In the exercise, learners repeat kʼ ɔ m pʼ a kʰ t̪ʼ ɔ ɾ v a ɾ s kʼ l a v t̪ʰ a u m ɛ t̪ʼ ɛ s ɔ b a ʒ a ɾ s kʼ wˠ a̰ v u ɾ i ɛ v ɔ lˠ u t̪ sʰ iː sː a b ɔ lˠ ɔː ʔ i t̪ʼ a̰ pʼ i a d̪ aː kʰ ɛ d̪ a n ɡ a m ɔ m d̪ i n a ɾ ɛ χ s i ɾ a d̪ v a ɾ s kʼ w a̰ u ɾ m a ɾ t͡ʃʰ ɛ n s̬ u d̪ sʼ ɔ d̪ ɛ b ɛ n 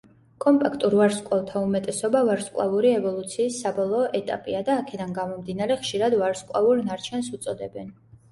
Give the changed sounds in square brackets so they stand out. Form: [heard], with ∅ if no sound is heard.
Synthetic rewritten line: kʼ ɔ m pʼ a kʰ t̪ʼ [u] ɾ v a ɾ s kʼ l a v t̪ʰ a u m ɛ t̪ʼ ɛ s ɔ b a [v] a ɾ s kʼ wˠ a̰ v u ɾ i ɛ v ɔ lˠ u t̪ sʰ iː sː a b ɔ lˠ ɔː ʔ [ɛ] t̪ʼ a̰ pʼ i a d̪ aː kʰ ɛ d̪ a n ɡ a m ɔ m d̪ i n a ɾ ɛ χ [ʃ] i ɾ a d̪ v a ɾ s kʼ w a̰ u ɾ [n] a ɾ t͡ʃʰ ɛ n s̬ u [t̪] sʼ ɔ d̪ ɛ b ɛ n